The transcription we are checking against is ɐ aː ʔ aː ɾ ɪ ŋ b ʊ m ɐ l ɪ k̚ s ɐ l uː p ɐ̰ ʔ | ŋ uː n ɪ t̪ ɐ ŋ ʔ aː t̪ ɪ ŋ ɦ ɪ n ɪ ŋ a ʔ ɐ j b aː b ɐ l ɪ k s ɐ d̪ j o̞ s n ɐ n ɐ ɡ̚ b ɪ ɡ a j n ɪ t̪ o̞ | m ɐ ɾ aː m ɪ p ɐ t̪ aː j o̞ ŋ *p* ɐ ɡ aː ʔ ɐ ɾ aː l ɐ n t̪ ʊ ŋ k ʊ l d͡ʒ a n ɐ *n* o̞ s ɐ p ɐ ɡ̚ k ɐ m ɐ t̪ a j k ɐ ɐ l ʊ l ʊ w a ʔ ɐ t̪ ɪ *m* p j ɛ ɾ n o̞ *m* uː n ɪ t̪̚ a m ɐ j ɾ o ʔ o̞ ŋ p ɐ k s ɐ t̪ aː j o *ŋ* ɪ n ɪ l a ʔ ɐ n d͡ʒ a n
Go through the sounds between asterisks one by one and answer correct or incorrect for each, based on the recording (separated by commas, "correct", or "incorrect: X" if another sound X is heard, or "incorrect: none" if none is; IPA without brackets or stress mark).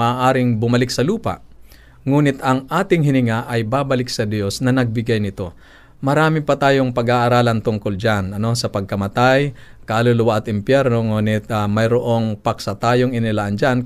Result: correct, correct, correct, incorrect: ŋ, correct